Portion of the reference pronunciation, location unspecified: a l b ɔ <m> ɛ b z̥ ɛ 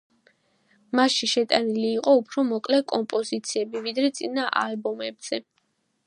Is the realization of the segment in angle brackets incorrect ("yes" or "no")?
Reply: no